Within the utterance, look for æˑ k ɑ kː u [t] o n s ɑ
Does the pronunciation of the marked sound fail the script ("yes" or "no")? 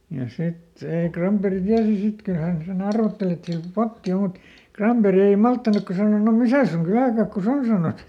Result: yes